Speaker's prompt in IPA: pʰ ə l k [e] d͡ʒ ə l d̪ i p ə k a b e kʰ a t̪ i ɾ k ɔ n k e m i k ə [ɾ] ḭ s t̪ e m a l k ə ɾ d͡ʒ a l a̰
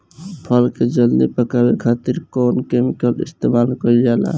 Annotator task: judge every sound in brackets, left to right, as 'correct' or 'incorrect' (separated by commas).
correct, incorrect